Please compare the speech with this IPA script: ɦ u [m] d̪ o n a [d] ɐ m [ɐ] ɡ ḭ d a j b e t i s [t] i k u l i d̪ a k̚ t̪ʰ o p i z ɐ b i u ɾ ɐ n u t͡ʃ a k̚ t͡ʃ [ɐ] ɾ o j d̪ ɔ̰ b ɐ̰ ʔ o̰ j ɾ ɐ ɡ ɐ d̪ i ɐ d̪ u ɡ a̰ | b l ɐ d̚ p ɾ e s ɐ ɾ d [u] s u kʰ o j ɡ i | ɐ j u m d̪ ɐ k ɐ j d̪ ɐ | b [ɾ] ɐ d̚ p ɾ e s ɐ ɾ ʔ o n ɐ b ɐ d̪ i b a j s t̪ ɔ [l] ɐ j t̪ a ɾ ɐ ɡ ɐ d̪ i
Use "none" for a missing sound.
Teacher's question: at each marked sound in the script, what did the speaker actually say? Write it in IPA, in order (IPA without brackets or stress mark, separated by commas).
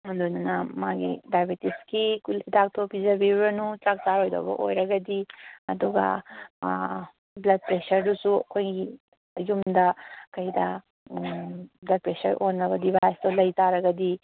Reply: n, n, a, k, a, u, l, l